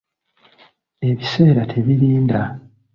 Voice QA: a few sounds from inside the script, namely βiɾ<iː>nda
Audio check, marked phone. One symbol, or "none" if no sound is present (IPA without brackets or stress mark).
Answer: iː